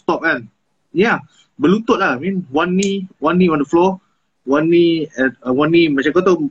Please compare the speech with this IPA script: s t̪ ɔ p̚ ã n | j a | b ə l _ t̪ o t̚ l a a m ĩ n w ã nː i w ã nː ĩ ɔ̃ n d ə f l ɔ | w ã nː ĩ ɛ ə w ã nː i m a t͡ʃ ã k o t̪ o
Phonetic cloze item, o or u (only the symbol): u